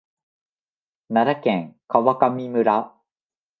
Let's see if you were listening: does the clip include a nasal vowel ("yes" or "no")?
yes